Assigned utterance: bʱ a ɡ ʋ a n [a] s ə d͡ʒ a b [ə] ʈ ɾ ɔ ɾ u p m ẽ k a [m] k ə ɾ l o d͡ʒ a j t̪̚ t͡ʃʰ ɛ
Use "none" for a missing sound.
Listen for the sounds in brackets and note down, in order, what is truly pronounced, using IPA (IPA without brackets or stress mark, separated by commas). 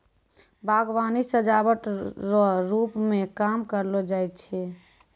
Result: i, ə, m